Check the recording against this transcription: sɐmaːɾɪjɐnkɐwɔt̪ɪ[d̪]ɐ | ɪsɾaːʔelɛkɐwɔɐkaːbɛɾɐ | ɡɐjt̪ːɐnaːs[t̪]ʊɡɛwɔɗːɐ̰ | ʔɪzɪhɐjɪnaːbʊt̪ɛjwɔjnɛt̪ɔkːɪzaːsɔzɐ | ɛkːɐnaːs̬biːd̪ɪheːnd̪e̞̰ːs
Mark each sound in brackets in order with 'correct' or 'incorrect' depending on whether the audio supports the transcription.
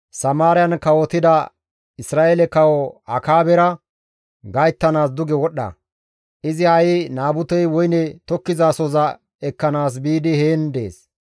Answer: correct, incorrect: d̪

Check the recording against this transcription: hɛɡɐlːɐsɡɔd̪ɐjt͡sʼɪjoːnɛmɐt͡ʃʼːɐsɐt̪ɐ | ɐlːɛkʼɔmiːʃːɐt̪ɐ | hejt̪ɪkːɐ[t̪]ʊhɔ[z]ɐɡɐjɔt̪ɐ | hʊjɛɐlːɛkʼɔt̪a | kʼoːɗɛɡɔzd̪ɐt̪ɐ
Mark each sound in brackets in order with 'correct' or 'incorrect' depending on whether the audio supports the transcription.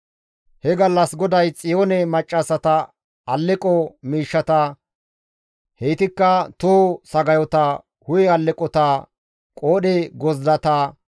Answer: correct, incorrect: s

